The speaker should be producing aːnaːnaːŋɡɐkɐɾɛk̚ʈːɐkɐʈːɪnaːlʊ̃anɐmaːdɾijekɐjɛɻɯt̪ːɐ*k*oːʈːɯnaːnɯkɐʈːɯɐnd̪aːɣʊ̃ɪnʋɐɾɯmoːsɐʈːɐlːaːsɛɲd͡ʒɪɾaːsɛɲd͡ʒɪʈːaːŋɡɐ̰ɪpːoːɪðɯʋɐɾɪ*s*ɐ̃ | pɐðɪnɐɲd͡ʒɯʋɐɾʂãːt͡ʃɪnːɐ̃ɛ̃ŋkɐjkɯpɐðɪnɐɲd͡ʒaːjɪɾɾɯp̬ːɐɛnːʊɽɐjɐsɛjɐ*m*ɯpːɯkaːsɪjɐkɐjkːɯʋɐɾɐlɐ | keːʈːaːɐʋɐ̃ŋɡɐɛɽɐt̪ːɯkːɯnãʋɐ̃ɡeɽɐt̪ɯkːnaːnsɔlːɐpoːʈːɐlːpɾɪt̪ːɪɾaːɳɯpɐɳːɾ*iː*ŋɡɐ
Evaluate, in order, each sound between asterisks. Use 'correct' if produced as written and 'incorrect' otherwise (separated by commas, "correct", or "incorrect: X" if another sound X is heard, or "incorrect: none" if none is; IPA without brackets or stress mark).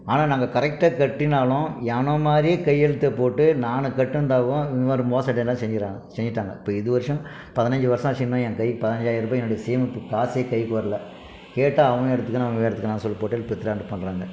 incorrect: p, incorrect: ʂ, correct, incorrect: aː